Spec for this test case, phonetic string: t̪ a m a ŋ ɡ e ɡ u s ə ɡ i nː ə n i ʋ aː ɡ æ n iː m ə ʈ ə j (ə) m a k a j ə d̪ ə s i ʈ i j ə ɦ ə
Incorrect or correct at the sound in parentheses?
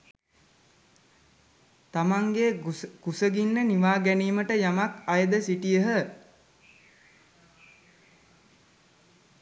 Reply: incorrect: a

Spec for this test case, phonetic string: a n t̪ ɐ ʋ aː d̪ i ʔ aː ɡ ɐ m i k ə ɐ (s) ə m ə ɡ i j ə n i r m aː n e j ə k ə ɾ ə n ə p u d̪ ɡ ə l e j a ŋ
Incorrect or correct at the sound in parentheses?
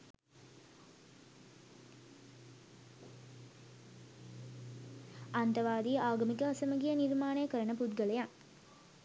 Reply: correct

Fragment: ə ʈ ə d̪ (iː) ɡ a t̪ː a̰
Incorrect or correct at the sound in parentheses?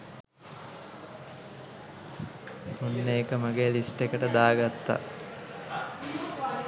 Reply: incorrect: aː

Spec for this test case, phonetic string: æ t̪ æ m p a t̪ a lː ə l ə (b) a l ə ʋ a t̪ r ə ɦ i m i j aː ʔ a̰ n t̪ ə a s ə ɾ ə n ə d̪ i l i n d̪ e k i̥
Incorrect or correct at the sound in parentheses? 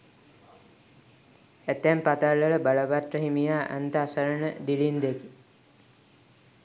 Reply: correct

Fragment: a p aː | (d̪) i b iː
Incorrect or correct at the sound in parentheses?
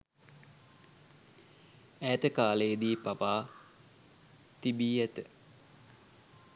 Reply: incorrect: t̪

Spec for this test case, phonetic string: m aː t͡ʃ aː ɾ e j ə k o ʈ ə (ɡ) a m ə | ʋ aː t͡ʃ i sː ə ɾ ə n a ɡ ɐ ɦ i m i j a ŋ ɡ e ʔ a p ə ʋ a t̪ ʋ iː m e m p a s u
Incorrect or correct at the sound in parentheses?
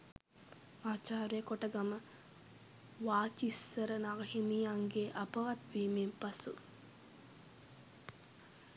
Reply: correct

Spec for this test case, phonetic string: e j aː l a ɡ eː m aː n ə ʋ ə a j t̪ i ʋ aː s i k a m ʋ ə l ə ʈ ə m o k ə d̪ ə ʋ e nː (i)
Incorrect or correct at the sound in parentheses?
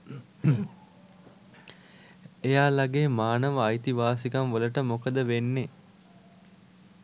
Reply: incorrect: e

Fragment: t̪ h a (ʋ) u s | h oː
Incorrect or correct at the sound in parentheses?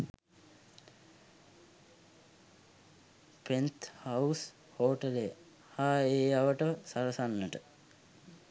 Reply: incorrect: none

